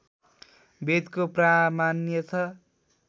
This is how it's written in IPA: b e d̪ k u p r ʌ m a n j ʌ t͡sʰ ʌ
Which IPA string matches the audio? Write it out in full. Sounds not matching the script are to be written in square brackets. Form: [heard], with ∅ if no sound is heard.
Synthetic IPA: b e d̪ k [o] p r [a] m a n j ʌ t͡sʰ ʌ